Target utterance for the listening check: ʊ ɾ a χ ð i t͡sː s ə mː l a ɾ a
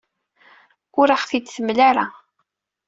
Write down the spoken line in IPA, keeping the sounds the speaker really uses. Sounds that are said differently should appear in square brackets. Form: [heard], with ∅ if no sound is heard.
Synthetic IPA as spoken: ʊ ɾ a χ [θ] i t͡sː [θ] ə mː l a ɾ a